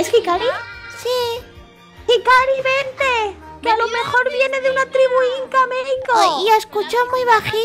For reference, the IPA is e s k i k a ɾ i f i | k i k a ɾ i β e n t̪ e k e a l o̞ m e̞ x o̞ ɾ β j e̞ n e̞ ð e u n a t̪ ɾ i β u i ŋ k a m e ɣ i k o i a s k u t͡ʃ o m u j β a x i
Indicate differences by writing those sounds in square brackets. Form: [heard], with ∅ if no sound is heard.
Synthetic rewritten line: e s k i k a ɾ i [s] i | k i k a ɾ i β e n t̪ e k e a l o̞ m e̞ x o̞ ɾ β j e̞ n e̞ ð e u n a t̪ ɾ i β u i ŋ k a m e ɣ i k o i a s k u t͡ʃ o m u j β a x i

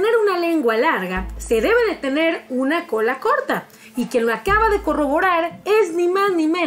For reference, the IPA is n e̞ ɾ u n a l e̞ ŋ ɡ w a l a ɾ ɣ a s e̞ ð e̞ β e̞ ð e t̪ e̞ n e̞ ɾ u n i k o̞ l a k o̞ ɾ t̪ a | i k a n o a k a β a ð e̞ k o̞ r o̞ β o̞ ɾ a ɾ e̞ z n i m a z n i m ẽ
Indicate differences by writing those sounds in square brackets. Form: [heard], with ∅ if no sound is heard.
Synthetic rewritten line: n e̞ ɾ u n a l e̞ ŋ ɡ w a l a ɾ ɣ a s e̞ ð e̞ β e̞ ð e t̪ e̞ n e̞ ɾ u n [a] k o̞ l a k o̞ ɾ t̪ a | i k [e] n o a k a β a ð e̞ k o̞ r o̞ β o̞ ɾ a ɾ e̞ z n i m a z n i m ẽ

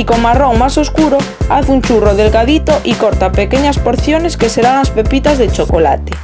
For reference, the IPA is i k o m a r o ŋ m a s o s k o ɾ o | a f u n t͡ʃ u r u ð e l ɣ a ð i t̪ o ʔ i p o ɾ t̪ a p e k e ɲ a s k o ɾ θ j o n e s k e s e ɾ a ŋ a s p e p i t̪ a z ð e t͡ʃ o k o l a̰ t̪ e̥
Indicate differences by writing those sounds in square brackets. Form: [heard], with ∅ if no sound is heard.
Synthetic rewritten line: i k o m a r o ŋ m a s o s k [u] ɾ o | a [θ] u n t͡ʃ u r [o] ð e l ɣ a ð i t̪ o ʔ i [k] o ɾ t̪ a p e k e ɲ a s [p] o ɾ θ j o n e s k e s e ɾ a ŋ a s p e p i t̪ a z ð e t͡ʃ o k o l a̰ t̪ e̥

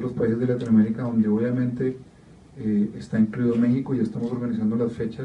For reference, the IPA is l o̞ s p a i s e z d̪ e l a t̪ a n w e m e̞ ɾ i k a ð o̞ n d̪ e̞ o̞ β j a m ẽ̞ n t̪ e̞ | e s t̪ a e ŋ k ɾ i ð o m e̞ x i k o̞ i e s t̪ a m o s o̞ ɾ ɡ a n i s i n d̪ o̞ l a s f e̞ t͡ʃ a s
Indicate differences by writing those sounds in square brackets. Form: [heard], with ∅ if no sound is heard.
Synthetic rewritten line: l o̞ s p a i s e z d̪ e l a t̪ [i] n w [a] m e̞ ɾ i k a ð o̞ n d̪ e̞ o̞ β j a m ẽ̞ n t̪ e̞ | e s t̪ a e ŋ k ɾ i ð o m e̞ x i k o̞ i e s t̪ a m o s o̞ ɾ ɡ a n i s [a] n d̪ o̞ l a s f e̞ t͡ʃ a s

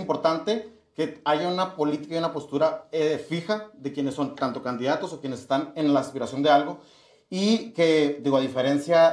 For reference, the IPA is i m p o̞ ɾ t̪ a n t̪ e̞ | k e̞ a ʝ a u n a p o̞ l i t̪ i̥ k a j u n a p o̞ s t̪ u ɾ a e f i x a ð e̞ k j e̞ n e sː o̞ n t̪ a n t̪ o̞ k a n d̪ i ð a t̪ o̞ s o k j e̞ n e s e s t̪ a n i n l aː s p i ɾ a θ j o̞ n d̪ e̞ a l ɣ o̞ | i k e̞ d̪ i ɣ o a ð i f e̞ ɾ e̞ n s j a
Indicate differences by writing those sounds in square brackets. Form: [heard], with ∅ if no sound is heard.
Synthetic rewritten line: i m p o̞ ɾ t̪ a n t̪ e̞ | k e̞ a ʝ a u n a p o̞ l i t̪ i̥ k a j u n a p o̞ s t̪ u ɾ a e f i x a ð e̞ k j e̞ n e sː o̞ n t̪ a n t̪ o̞ k a n d̪ i ð a t̪ o̞ s o k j e̞ n e s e s t̪ a n [e] n l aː s p i ɾ a [s] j o̞ n d̪ e̞ a l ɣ o̞ | i k e̞ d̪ i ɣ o a ð i f e̞ ɾ e̞ n s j a

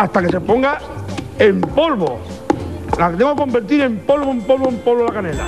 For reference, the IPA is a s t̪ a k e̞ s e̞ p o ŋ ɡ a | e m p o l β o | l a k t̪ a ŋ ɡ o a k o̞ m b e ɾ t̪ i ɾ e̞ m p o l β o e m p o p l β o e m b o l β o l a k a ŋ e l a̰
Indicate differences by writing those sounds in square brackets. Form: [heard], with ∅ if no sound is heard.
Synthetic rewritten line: a s t̪ a k e̞ s e̞ p o ŋ ɡ a | e m p o l β o | l a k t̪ [e] ŋ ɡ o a k o̞ m b e ɾ t̪ i ɾ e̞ m p o l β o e m p o [∅] l β o e m [p] o l β o l a k a [n] e l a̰

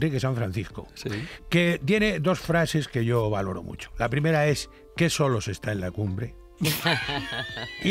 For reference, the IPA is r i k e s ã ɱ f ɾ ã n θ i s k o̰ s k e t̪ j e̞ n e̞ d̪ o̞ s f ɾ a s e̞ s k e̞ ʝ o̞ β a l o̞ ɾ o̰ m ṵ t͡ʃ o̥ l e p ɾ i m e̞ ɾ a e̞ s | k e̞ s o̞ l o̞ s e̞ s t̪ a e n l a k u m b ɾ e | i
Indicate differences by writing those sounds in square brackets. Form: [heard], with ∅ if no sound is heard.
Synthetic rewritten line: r i k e s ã ɱ f ɾ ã n θ i s k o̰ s k e t̪ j e̞ n e̞ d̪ o̞ s f ɾ a s e̞ s k e̞ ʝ o̞ β a l o̞ ɾ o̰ m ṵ t͡ʃ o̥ l [a] p ɾ i m e̞ ɾ a e̞ s | k e̞ s o̞ l o̞ s e̞ s t̪ a e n l a k u m b ɾ e | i

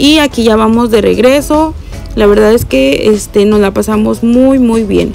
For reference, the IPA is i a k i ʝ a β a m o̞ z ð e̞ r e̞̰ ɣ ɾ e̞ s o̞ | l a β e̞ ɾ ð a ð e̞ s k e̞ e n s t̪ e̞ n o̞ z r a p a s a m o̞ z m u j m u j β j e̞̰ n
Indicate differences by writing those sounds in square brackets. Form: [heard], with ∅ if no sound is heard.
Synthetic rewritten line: i a k i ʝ a β a m o̞ z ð e̞ r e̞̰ ɣ ɾ e̞ s o̞ | l a β e̞ ɾ ð a ð e̞ s k e̞ e [∅] s t̪ e̞ n o̞ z [l] a p a s a m o̞ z m u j m u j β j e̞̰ n

